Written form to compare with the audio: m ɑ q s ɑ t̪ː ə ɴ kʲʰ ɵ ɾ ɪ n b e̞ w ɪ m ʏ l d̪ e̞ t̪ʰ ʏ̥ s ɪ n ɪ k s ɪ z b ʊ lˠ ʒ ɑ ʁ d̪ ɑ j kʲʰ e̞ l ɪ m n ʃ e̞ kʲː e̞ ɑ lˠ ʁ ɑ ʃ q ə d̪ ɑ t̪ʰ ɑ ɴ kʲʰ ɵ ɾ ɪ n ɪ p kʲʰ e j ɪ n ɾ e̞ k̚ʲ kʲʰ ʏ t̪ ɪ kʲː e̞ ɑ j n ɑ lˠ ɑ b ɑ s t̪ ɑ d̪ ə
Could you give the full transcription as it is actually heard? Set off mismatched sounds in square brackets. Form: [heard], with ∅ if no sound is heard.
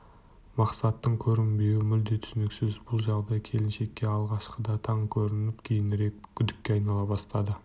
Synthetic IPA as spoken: m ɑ q s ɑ t̪ː ə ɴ kʲʰ ɵ ɾ ɪ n b e̞ w ɪ m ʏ l d̪ e̞ t̪ʰ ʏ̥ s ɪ n ɪ k s ɪ z b ʊ lˠ ʒ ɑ ʁ d̪ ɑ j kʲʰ e̞ l ɪ [∅] n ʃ e̞ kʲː e̞ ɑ lˠ ʁ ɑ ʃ q ə d̪ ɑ t̪ʰ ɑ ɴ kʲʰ ɵ ɾ ɪ n ɪ p kʲʰ e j ɪ n ɾ e̞ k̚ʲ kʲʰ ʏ [d̪] ɪ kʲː e̞ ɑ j n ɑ lˠ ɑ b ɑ s t̪ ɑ d̪ ə